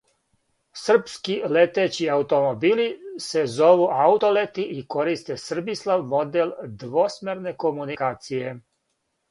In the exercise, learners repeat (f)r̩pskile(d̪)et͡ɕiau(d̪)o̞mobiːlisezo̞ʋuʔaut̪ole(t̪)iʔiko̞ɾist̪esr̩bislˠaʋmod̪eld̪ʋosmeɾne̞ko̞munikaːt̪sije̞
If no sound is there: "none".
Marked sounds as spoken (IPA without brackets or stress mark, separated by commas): s, t̪, t̪, t̪